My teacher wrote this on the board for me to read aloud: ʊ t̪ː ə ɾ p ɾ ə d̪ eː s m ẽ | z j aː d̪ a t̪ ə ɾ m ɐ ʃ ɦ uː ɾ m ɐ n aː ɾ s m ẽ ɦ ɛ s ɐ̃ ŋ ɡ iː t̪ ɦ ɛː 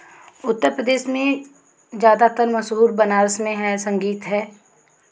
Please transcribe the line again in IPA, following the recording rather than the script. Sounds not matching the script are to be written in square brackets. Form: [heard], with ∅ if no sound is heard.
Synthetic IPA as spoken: ʊ t̪ː ə ɾ p ɾ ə d̪ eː [ʃ] m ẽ | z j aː d̪ a t̪ ə ɾ m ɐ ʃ ɦ uː ɾ [b] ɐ n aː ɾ s m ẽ ɦ ɛ s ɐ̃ ŋ ɡ iː t̪ ɦ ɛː